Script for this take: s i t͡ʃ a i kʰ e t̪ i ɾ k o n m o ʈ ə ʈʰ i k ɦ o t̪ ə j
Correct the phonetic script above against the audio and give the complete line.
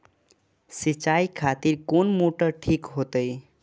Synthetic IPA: s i t͡ʃ a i kʰ a t̪ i ɾ k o n m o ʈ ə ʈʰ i k ɦ o t̪ ə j